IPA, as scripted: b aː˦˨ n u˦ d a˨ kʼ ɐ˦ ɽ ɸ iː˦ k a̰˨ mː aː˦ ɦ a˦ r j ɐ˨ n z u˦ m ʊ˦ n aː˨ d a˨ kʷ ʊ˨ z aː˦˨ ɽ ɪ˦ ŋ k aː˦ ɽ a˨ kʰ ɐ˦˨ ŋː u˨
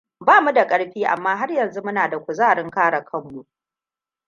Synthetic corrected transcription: b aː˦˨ m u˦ d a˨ kʼ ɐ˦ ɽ ɸ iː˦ ʔ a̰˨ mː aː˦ ɦ a˦ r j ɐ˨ n z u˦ m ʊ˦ n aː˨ d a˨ kʷ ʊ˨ z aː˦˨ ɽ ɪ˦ ŋ k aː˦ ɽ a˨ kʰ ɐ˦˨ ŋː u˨